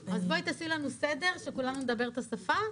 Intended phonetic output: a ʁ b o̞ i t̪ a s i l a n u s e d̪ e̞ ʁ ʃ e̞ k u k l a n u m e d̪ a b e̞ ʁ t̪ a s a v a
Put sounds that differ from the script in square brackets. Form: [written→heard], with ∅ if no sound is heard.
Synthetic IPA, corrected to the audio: a [ʁ→z] b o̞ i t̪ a s i l a n u s e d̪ e̞ ʁ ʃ e̞ k u [k→∅] l a n u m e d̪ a b e̞ ʁ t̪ a s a [v→f] a